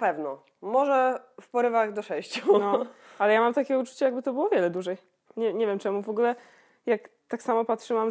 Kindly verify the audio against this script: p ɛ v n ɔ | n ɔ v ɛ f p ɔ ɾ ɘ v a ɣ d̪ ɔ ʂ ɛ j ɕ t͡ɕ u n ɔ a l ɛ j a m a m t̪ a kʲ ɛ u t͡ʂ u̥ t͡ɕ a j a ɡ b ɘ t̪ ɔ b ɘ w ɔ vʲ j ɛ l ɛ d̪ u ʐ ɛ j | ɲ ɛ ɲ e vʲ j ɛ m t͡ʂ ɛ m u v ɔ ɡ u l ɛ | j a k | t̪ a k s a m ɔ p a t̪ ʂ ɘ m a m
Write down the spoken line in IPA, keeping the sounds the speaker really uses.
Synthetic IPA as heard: p ɛ v n ɔ | m ɔ ʐ ɛ f p ɔ ɾ ɘ v a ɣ d̪ ɔ ʂ ɛ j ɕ t͡ɕ u n ɔ a l ɛ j a m a m t̪ a kʲ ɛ u t͡ʂ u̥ t͡ɕ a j a ɡ b ɘ t̪ ɔ b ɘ w ɔ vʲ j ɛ l ɛ d̪ u ʐ ɛ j | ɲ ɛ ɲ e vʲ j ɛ m t͡ʂ ɛ m u v ɔ ɡ u l ɛ | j a k | t̪ a k s a m ɔ p a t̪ ʂ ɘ m a m